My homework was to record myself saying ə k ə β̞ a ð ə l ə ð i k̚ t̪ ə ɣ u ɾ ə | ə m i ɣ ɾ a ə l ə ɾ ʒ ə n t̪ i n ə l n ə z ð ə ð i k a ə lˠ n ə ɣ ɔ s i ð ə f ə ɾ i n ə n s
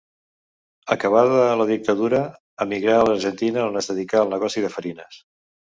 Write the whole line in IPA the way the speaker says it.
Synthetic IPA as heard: ə k ə β̞ a ð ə l ə ð i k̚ t̪ ə ð u ɾ ə | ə m i ɣ ɾ a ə l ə ɾ ʒ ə n t̪ i n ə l n ə z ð ə ð i k a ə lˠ n ə ɣ ɔ s i ð ə f ə ɾ i n ə s